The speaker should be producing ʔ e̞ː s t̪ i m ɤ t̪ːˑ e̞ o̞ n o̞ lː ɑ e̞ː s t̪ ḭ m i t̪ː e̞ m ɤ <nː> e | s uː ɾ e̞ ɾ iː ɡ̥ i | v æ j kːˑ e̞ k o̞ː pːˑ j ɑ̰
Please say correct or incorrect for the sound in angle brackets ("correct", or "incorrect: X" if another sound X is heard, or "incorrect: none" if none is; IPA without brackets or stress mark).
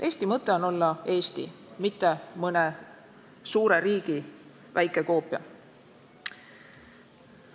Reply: incorrect: n